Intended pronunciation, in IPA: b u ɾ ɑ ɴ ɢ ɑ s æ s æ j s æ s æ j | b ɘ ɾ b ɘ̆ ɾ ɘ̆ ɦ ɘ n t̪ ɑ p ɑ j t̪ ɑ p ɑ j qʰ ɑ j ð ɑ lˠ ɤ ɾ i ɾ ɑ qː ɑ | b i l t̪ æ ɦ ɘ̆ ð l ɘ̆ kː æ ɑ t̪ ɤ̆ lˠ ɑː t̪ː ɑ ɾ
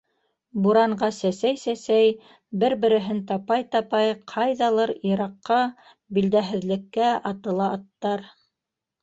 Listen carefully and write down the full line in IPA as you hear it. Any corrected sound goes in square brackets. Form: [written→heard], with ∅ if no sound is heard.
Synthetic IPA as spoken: b u ɾ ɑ ɴ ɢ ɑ s æ s æ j s æ s æ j | b ɘ ɾ b ɘ̆ ɾ ɘ̆ ɦ ɘ n t̪ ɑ p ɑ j t̪ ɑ p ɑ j qʰ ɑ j ð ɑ lˠ ɤ ɾ i ɾ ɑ qː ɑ | b i l [t̪→d̪] æ ɦ ɘ̆ ð l ɘ̆ kː æ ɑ t̪ ɤ̆ lˠ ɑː t̪ː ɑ ɾ